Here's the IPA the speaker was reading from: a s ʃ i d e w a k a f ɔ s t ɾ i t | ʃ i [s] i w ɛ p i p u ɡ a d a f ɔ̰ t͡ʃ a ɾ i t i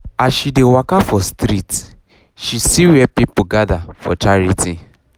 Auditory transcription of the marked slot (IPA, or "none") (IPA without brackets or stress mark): s